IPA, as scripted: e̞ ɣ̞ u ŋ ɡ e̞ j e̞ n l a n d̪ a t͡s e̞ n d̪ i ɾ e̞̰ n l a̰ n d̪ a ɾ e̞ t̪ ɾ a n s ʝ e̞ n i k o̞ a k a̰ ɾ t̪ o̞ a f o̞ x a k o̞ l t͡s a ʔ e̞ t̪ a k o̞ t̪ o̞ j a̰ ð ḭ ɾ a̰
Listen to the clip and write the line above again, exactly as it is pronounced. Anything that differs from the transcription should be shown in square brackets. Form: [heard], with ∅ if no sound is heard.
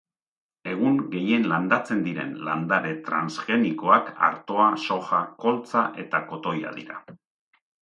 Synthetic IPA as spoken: e̞ ɣ̞ u ŋ ɡ e̞ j e̞ n l a n d̪ a t͡s e̞ n d̪ i ɾ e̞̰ n l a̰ n d̪ a ɾ e̞ t̪ ɾ a n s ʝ e̞ n i k o̞ a k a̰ ɾ t̪ o̞ a [s] o̞ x a k o̞ l t͡s a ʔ e̞ t̪ a k o̞ t̪ o̞ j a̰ ð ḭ ɾ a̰